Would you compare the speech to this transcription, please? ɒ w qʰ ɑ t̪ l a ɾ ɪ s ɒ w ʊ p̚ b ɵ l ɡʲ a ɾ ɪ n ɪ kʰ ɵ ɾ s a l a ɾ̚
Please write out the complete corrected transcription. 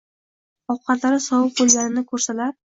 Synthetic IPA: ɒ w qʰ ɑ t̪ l a ɾ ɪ s ɒ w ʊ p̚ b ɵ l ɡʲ a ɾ ɪ n ɪ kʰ ɵ ɾ s a l a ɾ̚